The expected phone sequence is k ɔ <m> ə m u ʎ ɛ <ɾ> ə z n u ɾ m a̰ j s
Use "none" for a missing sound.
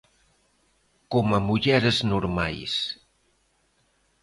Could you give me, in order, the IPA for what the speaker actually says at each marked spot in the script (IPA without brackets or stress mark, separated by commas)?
m, ɾ